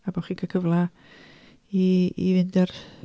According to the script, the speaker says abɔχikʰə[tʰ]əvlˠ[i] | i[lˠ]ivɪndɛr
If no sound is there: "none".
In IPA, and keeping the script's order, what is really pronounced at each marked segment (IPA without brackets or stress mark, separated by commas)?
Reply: kʰ, a, none